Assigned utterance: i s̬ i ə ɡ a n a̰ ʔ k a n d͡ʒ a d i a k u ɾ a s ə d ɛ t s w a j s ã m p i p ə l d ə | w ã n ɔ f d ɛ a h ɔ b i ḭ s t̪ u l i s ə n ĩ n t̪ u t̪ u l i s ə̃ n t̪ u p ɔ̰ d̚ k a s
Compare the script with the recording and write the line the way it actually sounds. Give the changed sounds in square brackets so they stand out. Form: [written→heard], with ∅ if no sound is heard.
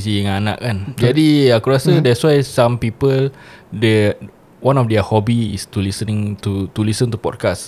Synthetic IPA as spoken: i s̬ i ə [ɡ→ŋ] a n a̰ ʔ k a n d͡ʒ a d i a k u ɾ a s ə d ɛ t s w a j s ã m p i p ə l d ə | w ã n ɔ f d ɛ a h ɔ b i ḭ s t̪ u l i s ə n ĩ [n→ŋ] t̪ u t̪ u l i s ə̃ n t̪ u p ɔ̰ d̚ k a s